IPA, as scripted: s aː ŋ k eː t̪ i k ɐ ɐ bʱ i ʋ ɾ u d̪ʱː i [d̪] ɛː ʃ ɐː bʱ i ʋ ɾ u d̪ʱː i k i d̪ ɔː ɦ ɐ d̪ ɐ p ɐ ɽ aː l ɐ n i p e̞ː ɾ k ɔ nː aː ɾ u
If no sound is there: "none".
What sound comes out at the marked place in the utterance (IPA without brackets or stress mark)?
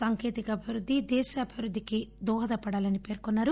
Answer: d̪